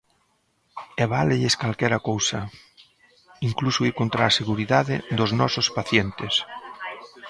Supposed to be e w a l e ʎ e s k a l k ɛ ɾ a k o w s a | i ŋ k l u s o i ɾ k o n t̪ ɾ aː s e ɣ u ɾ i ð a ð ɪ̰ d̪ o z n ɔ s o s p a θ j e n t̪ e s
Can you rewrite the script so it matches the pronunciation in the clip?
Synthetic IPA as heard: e β a l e ʎ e s k a l k ɛ ɾ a k o w s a | i ŋ k l u s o i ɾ k o n t̪ ɾ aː s e ɣ u ɾ i ð a ð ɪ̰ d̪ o z n ɔ s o s p a θ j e n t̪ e s